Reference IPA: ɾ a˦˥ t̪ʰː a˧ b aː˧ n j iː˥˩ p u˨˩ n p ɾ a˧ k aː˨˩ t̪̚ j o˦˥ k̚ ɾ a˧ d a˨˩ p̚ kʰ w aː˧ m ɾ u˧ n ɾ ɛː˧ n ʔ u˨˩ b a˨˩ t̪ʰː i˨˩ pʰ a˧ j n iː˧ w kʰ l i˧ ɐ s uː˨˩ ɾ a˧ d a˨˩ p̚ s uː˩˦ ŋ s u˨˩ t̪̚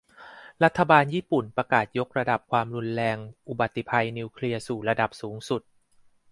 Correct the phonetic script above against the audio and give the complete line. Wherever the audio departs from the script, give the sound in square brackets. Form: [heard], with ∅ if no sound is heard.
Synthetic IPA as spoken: ɾ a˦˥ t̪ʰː a˧ b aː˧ n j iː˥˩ p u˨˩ n p ɾ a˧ k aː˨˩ t̪̚ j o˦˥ k̚ ɾ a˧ d a˨˩ p̚ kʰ w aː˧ m ɾ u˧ n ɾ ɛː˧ [ŋ] ʔ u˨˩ b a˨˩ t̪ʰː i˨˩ pʰ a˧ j n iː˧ w kʰ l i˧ ɐ s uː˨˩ ɾ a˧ d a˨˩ p̚ s uː˩˦ ŋ s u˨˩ t̪̚

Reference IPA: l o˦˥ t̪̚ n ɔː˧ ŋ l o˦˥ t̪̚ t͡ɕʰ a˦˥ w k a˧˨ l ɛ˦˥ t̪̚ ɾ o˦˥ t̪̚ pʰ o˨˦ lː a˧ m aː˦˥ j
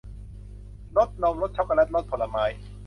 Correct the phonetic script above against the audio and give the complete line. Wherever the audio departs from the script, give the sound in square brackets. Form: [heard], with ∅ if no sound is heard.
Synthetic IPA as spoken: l o˦˥ t̪̚ n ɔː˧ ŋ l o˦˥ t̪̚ t͡ɕʰ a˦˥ w k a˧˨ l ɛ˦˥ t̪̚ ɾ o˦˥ t̪̚ pʰ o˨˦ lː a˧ m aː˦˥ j

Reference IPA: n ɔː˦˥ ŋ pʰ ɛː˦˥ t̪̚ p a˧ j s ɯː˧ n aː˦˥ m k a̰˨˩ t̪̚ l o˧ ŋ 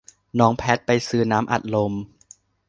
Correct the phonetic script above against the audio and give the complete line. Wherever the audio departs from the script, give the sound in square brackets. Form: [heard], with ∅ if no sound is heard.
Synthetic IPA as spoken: n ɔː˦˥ ŋ pʰ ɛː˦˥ t̪̚ p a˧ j s ɯː˧ n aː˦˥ m [ʔ] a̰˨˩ t̪̚ l o˧ [m]

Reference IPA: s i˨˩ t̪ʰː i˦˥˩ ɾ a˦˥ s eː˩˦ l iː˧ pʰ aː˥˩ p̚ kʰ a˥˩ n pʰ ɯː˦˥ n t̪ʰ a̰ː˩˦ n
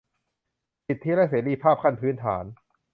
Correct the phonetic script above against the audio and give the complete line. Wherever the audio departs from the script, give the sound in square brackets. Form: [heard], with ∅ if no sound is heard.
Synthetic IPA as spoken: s i˨˩ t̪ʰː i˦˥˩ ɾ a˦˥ s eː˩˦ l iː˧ pʰ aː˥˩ p̚ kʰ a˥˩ n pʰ ɯː˦˥ n t̪ʰ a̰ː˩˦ n

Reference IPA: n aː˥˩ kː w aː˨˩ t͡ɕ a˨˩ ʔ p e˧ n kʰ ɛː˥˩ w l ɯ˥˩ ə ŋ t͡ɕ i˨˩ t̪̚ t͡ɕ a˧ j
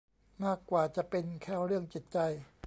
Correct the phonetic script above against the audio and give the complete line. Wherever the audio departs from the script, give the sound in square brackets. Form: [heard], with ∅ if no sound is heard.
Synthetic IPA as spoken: [m] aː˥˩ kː w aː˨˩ t͡ɕ a˨˩ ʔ p e˧ n kʰ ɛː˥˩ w [ɾ] ɯ˥˩ ə ŋ t͡ɕ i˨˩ t̪̚ t͡ɕ a˧ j

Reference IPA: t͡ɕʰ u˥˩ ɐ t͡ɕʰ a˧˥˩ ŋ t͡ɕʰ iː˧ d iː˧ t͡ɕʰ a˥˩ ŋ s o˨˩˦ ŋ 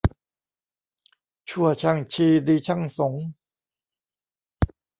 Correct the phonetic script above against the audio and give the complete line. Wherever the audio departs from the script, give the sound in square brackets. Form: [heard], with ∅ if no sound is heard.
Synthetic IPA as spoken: t͡ɕʰ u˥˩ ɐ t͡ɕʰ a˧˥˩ ŋ t͡ɕʰ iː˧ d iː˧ t͡ɕʰ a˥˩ ŋ s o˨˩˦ ŋ

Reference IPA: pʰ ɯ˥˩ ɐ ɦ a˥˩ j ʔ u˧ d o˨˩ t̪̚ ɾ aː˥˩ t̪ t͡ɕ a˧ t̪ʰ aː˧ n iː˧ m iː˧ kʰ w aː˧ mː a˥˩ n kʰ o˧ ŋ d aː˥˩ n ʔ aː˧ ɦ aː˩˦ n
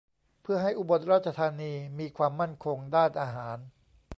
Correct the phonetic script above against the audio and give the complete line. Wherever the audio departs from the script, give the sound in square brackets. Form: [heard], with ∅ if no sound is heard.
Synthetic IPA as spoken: pʰ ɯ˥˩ ɐ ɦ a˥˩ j ʔ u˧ [b] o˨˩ t̪̚ ɾ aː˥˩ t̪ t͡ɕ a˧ t̪ʰ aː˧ n iː˧ m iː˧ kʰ w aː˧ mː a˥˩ n kʰ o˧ ŋ d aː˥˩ n ʔ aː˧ ɦ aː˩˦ n

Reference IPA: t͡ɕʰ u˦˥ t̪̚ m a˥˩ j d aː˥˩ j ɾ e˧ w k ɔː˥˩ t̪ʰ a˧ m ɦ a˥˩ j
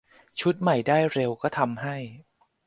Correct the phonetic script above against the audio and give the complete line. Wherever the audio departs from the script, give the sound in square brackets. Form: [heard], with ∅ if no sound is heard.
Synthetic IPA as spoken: t͡ɕʰ u˦˥ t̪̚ m [a˨˩] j d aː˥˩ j ɾ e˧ w k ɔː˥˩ t̪ʰ a˧ m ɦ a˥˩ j

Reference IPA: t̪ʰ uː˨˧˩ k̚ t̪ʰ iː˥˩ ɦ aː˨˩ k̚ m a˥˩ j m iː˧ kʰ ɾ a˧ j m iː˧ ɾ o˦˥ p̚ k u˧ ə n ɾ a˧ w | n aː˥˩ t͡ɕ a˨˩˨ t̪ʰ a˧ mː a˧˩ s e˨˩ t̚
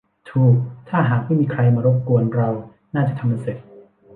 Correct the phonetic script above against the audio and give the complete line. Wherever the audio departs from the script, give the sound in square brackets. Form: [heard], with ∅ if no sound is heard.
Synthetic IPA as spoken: t̪ʰ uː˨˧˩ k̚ t̪ʰ [aː˥˩] ɦ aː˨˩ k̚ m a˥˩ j m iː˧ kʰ ɾ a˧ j m [aː˧] ɾ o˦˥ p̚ k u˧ ə n ɾ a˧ w | n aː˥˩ t͡ɕ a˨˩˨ t̪ʰ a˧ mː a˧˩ s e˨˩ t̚

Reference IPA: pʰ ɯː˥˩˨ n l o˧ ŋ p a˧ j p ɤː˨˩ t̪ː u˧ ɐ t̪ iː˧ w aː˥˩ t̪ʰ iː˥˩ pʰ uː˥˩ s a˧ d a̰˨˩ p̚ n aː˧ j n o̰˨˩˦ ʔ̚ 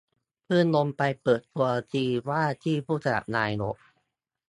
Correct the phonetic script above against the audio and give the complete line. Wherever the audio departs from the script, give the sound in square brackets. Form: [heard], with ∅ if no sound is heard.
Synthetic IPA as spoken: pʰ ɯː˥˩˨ n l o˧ [m] p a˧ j p ɤː˨˩ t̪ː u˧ ɐ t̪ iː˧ w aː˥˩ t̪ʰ iː˥˩ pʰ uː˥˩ s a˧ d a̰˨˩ p̚ n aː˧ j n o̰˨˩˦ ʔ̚

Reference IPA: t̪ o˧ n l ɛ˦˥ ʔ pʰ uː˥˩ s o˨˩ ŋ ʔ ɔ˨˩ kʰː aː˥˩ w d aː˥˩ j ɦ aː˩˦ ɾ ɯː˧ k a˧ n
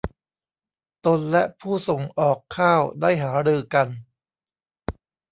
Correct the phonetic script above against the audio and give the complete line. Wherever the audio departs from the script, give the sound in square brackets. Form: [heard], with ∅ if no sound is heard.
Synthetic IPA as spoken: t̪ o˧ n l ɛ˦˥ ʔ pʰ uː˥˩ s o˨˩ ŋ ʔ [ɔː˨˩] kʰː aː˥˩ w d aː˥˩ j ɦ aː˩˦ ɾ ɯː˧ k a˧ n

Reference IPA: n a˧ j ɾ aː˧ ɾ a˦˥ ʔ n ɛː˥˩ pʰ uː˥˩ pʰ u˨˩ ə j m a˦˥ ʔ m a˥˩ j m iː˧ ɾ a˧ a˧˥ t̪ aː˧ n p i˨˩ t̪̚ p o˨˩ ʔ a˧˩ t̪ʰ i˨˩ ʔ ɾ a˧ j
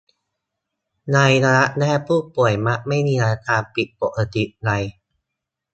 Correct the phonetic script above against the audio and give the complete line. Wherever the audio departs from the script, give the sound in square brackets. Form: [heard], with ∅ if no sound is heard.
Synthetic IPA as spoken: n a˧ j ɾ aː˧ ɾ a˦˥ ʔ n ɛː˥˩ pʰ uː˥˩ [p] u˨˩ ə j m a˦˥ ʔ m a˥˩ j m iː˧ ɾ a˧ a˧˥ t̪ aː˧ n p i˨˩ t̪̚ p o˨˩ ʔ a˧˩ [t̪] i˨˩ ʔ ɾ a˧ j

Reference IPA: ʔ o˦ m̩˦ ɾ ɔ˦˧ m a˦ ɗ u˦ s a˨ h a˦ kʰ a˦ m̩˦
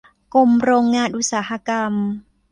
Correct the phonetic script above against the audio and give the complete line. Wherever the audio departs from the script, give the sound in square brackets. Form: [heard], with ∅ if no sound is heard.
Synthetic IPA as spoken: [k] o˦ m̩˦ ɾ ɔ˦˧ [ŋ] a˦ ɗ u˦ s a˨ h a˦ [k] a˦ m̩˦

